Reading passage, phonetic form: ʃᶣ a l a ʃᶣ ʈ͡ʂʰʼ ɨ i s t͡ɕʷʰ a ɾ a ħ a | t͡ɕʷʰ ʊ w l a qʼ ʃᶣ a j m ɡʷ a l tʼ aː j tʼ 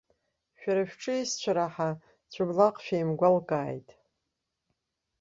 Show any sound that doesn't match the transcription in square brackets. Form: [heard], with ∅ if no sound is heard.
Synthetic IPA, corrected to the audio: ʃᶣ a [ɾ] a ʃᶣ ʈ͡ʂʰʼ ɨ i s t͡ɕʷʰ a ɾ a ħ a | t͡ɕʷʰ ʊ [b] l a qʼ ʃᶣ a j m ɡʷ a l [kʼ] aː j tʼ